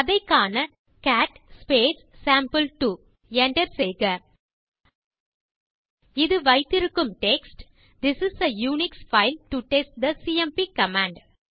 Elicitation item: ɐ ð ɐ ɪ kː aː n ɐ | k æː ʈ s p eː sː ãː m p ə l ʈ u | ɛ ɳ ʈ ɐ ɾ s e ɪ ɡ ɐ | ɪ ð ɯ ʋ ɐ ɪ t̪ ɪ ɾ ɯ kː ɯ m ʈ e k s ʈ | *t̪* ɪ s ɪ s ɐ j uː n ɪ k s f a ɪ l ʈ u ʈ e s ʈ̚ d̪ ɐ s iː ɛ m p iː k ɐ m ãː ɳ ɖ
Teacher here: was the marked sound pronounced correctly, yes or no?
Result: no